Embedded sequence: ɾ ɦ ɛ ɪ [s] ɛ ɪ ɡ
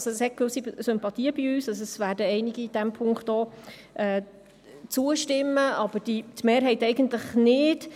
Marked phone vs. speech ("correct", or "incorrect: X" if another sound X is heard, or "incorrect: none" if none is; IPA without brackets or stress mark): incorrect: t